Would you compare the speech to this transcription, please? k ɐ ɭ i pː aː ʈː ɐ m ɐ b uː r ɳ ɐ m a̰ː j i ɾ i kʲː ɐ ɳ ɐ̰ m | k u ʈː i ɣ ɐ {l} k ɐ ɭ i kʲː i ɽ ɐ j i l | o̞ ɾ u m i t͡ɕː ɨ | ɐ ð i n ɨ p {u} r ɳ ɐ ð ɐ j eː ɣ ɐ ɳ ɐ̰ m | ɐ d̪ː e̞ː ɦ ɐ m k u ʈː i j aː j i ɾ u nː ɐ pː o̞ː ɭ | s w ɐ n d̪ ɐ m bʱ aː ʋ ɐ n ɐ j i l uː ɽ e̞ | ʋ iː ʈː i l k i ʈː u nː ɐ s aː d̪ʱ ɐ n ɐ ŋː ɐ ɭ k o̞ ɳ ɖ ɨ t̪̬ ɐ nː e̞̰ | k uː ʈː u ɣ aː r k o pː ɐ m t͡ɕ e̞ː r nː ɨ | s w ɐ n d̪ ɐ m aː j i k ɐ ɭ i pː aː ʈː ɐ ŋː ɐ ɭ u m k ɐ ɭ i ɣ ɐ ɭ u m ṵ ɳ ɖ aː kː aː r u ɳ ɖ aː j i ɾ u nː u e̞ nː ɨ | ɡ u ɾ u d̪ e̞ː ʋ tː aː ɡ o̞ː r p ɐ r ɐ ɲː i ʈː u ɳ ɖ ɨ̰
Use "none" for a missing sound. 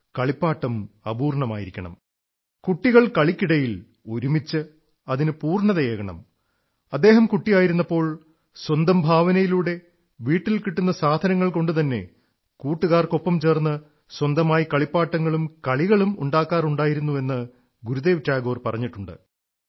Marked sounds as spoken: ɭ, uː

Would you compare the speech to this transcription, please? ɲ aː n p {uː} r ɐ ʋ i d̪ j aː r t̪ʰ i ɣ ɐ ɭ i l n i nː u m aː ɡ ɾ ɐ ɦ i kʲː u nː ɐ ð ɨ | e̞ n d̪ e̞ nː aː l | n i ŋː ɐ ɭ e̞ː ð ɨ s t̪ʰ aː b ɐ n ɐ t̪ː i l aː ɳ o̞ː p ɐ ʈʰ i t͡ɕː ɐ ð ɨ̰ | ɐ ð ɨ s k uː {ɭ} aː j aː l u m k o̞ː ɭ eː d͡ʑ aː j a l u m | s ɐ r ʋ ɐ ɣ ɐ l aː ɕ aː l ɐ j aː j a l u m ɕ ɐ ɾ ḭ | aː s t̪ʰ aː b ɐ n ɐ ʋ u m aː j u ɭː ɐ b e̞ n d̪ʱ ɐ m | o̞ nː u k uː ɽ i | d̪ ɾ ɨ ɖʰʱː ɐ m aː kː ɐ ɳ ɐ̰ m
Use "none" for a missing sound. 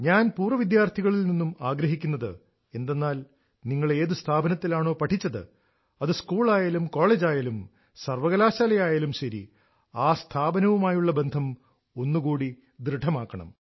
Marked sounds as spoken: uː, ɭ

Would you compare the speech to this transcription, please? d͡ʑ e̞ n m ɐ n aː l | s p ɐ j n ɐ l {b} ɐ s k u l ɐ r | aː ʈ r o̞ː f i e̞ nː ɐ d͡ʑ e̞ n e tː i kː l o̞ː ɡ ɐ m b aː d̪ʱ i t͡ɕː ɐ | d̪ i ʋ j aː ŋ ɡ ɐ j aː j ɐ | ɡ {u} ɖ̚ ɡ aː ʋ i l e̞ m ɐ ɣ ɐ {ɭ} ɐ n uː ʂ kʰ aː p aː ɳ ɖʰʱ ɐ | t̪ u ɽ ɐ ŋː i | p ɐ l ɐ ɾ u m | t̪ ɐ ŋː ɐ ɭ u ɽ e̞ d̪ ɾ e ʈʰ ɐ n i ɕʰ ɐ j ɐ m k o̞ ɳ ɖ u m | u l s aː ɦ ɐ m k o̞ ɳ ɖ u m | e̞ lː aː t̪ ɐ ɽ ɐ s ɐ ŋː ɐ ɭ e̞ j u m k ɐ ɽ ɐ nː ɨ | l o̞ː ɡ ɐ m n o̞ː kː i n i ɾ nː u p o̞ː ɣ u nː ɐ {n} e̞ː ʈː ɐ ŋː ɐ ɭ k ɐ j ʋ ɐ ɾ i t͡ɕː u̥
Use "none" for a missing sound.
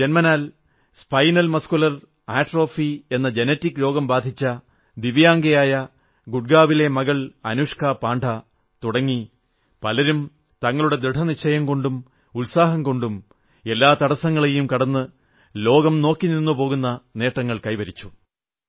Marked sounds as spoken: m, u, ɭ, n

